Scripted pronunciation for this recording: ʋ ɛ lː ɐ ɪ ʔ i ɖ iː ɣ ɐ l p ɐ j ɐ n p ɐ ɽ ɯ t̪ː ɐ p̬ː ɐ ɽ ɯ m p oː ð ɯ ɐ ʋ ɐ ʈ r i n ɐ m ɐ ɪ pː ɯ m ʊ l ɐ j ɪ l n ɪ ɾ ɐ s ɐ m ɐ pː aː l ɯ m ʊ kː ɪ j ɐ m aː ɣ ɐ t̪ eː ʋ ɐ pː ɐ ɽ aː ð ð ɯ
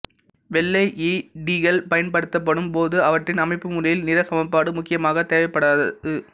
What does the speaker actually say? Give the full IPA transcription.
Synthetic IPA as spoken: ʋ ɛ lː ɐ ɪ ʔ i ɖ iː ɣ ɐ l p ɐ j ɐ n p ɐ ɽ ɯ t̪ː ɐ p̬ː ɐ ɽ ɯ m p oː ð ɯ ɐ ʋ ɐ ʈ r ɪ n ɐ m ɐ ɪ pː ɯ m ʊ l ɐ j ɪ l n ɪ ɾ ɐ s ɐ m ɐ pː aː ɽ ɯ m ʊ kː ɪ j ɐ m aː ɣ ɐ t̪ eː ʋ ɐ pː ɐ ɽ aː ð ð ɯ